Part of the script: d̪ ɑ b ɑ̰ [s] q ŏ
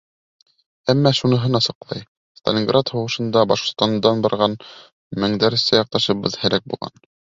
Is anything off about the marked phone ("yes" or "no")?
yes